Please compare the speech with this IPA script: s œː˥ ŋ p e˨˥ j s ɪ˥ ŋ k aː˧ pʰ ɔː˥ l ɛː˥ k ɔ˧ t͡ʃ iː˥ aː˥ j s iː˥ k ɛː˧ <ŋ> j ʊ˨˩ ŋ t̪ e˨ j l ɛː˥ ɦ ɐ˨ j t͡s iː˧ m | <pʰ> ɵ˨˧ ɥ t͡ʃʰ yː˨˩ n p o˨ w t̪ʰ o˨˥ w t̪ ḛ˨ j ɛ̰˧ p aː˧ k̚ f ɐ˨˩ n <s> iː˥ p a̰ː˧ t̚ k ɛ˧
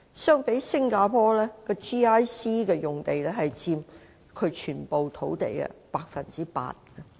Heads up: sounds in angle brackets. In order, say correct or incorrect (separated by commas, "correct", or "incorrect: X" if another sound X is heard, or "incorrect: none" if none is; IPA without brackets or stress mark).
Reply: incorrect: none, incorrect: kʰ, incorrect: t͡s